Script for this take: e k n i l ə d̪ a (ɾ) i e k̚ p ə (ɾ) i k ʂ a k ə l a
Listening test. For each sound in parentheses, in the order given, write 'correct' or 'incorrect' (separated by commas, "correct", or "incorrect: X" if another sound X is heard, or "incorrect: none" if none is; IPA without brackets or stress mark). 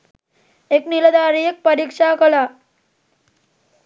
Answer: correct, correct